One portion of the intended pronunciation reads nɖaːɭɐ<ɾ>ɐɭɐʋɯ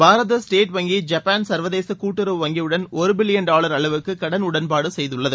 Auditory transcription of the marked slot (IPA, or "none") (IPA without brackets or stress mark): ɾ